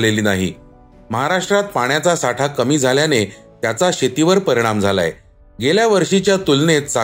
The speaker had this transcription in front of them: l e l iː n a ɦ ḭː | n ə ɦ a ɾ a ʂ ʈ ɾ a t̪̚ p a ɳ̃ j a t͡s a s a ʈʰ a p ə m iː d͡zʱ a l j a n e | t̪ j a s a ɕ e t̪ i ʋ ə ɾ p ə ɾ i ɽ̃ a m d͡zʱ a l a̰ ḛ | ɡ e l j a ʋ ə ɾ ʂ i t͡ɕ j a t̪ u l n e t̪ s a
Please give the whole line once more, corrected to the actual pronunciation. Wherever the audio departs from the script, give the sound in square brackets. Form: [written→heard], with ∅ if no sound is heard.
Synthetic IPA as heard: l e l iː n a ɦ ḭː | [n→m] ə ɦ a ɾ a ʂ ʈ ɾ a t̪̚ p a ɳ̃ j a t͡s a s a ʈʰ a [p→k] ə m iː d͡zʱ a l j a n e | t̪ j a [s→t͡s] a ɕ e t̪ i ʋ ə ɾ p ə ɾ i ɽ̃ a m d͡zʱ a l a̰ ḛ | ɡ e l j a ʋ ə ɾ ʂ i t͡ɕ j a t̪ u l n e t̪ s a